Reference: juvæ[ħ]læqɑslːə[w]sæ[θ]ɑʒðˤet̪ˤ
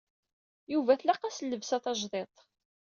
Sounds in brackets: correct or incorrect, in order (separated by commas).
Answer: incorrect, incorrect, correct